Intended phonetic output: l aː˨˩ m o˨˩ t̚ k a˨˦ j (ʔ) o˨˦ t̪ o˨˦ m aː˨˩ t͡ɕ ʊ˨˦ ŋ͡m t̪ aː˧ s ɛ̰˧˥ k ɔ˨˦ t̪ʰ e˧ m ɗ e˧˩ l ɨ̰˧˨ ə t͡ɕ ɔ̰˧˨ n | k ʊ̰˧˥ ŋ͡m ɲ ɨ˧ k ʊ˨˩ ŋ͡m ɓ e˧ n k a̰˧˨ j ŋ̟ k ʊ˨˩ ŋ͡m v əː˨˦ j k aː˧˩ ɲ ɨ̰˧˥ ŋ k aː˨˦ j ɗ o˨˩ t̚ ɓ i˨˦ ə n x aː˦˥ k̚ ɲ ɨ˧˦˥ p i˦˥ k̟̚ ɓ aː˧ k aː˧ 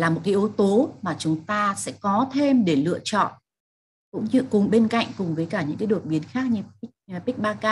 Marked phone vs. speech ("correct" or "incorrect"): correct